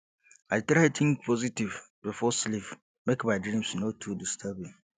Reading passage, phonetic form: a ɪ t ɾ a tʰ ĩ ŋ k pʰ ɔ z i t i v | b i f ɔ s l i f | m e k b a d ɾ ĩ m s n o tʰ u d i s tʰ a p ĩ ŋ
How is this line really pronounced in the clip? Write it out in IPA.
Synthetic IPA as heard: a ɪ t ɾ a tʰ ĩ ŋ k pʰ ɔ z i t i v | b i f ɔ s l i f | m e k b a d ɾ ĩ m s n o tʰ u d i s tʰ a b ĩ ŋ